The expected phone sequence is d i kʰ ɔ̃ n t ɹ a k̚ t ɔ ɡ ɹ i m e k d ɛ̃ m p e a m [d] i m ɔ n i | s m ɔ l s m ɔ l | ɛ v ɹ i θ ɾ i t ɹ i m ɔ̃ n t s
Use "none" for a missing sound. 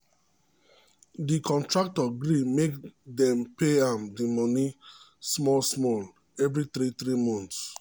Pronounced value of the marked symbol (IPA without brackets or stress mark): d